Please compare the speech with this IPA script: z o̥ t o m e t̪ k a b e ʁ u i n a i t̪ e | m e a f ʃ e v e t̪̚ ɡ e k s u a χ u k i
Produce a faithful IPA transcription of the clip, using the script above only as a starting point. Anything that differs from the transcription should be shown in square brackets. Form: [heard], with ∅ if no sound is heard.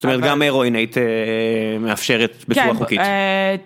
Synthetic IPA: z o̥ t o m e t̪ [ɡ] a [m] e ʁ [o] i n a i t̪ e | m e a f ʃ e [ʁ] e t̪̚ [b] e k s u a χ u k i